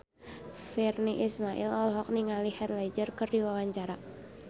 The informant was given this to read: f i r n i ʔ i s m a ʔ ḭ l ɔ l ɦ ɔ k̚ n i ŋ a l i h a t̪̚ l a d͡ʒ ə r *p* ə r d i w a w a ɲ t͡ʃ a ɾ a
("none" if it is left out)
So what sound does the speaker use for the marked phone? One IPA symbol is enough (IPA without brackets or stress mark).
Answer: k